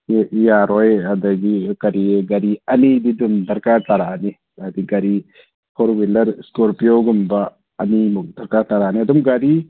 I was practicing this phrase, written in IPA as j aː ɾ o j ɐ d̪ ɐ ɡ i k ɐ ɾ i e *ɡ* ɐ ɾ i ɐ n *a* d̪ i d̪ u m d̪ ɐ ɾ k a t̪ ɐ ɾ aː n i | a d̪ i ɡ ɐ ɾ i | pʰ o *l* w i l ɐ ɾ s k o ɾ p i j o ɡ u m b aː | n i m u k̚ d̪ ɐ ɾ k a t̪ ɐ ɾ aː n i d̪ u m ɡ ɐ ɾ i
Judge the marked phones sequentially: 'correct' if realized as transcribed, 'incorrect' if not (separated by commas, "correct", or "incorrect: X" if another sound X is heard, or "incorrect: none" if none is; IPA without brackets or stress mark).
correct, incorrect: i, incorrect: ɾ